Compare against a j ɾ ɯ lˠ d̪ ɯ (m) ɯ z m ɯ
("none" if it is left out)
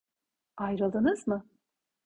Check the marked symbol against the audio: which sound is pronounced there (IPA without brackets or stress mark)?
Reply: n